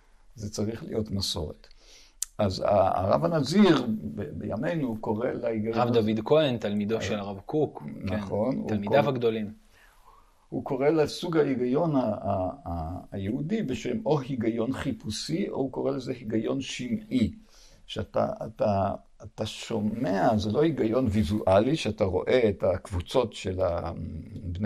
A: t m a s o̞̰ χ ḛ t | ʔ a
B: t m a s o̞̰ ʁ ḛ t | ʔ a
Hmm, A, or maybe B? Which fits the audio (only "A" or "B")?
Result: B